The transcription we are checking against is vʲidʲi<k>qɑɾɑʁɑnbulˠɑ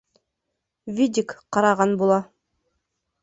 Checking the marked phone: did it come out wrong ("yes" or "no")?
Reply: no